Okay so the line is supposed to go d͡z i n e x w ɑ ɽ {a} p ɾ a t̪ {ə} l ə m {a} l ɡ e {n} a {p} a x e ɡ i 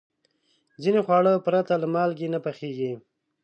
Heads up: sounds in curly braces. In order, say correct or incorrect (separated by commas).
incorrect, incorrect, incorrect, correct, correct